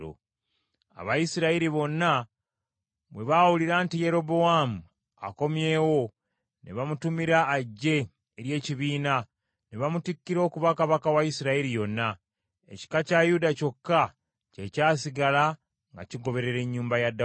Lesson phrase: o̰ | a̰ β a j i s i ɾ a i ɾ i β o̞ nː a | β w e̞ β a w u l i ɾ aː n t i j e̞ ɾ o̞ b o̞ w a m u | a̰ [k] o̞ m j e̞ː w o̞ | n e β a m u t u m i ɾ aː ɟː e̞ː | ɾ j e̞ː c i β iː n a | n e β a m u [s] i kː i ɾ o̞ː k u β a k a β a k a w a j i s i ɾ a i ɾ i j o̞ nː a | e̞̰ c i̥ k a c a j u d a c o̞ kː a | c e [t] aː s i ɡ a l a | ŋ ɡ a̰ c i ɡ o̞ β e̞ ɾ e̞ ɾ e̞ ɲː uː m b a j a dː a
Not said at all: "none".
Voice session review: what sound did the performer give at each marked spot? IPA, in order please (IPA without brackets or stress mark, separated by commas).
k, t, c